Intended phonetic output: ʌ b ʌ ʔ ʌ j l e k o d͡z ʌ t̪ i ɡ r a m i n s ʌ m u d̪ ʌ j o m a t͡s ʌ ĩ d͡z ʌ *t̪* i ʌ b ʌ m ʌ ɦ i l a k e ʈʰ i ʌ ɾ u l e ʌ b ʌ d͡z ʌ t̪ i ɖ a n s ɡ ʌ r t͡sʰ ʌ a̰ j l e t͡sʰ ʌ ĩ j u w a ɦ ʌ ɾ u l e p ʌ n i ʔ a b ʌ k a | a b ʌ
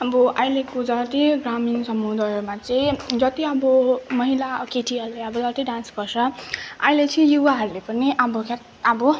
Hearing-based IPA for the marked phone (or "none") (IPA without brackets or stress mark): t̪